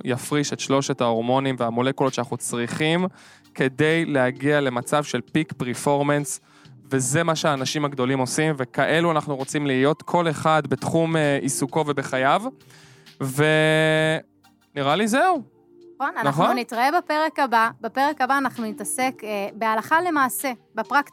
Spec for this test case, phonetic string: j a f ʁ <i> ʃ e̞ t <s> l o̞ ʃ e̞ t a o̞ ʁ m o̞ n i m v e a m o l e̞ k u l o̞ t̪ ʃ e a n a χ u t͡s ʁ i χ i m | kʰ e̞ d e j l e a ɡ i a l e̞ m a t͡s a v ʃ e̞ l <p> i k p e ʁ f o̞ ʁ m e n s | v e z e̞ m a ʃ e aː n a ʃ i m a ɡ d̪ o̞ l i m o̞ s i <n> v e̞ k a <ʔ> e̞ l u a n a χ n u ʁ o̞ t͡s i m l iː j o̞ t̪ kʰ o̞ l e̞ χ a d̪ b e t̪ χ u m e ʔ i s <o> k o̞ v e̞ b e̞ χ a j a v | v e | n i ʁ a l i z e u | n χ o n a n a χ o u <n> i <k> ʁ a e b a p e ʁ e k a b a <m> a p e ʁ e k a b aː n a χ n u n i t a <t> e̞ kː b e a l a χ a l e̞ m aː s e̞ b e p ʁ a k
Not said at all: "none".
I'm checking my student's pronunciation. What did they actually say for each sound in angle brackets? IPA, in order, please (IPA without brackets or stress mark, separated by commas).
i, ʃ, p, m, ʔ, u, n, t, b, s